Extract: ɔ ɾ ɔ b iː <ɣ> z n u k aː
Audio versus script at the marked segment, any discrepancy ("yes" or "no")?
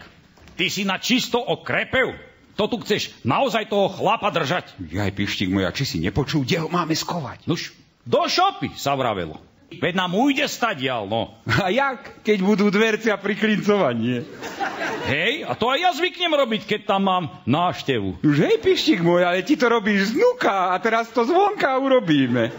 yes